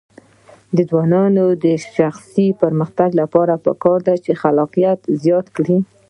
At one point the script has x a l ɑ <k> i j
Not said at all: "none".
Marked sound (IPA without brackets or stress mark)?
q